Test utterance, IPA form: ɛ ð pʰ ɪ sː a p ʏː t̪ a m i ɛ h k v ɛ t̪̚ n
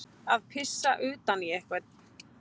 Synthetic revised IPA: a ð pʰ ɪ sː a ʔ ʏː t̪ a n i ɛ h k v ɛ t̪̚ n